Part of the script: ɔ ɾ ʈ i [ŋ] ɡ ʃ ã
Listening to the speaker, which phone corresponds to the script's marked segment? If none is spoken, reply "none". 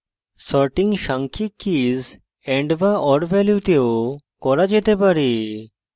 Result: ŋ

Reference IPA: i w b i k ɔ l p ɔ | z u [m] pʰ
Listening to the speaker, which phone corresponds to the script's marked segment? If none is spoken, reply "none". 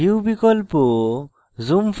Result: m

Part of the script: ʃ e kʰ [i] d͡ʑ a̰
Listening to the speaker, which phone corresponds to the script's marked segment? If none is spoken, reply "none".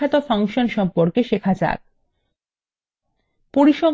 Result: a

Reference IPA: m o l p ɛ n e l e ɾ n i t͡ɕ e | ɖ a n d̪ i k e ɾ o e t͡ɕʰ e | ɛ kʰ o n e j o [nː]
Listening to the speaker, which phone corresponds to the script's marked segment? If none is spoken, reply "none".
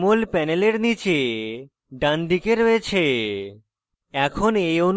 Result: n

